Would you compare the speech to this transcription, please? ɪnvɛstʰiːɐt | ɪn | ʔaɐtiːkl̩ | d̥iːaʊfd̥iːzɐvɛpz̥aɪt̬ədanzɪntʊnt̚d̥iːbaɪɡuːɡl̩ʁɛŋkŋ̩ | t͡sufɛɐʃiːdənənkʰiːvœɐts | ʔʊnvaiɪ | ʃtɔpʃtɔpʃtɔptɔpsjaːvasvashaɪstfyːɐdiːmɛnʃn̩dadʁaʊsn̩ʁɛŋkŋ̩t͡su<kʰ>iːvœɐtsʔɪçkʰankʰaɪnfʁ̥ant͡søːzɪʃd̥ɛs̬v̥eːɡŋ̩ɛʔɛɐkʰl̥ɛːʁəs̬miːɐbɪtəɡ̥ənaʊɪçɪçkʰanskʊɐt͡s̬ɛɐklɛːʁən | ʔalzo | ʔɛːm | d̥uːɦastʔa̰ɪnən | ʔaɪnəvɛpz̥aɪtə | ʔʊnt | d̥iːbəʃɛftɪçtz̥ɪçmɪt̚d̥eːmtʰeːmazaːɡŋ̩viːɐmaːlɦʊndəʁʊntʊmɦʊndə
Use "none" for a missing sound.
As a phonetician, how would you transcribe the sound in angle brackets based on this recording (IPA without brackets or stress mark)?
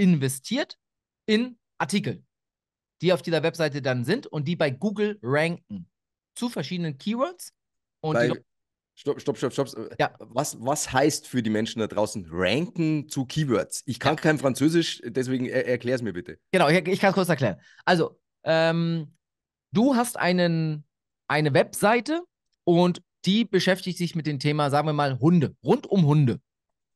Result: kʰ